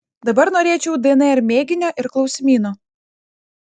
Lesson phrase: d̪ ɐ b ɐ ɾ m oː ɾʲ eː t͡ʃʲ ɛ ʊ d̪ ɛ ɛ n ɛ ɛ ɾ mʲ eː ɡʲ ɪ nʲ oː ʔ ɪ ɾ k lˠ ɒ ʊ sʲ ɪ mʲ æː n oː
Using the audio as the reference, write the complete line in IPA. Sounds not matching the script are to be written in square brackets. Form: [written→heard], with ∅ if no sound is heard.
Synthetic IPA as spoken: d̪ ɐ b ɐ ɾ [m→n] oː ɾʲ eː t͡ʃʲ ɛ ʊ d̪ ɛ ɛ n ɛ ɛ ɾ mʲ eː ɡʲ ɪ nʲ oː ʔ ɪ ɾ k lˠ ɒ ʊ sʲ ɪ mʲ [æː→iː] n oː